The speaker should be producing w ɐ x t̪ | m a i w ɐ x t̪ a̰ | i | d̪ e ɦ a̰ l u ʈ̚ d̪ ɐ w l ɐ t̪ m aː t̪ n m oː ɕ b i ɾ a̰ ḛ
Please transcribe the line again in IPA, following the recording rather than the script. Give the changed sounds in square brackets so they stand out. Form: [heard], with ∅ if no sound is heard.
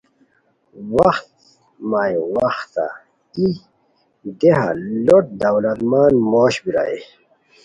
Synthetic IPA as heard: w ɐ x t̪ | m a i w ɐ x t̪ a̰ | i | d̪ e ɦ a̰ l [o] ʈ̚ d̪ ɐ w l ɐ t̪ m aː [∅] n m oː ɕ b i ɾ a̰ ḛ